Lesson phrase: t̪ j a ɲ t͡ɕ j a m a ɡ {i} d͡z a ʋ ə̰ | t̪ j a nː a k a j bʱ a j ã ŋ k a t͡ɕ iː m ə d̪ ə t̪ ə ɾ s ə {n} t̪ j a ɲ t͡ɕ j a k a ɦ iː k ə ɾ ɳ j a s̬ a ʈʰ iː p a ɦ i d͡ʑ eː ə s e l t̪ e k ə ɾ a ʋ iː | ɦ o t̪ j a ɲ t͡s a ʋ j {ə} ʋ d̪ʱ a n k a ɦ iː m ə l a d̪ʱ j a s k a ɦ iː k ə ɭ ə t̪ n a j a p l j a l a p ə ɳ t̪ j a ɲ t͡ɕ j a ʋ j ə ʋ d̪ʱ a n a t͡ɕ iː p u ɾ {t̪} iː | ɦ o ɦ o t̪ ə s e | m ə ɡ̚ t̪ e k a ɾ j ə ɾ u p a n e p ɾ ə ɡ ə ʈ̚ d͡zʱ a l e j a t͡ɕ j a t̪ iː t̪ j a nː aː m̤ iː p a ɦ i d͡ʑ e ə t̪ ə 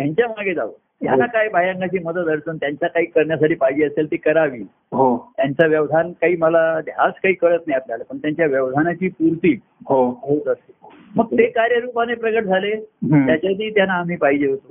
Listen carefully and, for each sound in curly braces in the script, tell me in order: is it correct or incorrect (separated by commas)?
incorrect, correct, correct, correct